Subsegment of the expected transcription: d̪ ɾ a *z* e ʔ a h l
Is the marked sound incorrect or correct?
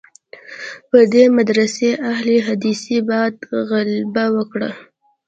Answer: incorrect